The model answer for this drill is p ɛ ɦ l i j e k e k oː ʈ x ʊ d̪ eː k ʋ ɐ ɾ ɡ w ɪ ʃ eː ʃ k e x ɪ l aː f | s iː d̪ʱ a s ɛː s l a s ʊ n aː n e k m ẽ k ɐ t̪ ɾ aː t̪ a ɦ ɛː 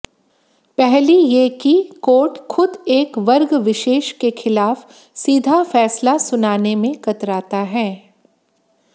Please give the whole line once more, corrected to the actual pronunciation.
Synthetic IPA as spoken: p ɛ ɦ l i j e k i k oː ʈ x ʊ d̪ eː k ʋ ɐ ɾ ɡ ʋ ɪ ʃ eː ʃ k e x ɪ l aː f | s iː d̪ʱ a f ɛː s l a s ʊ n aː n e m ẽ k ɐ t̪ ɾ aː t̪ a ɦ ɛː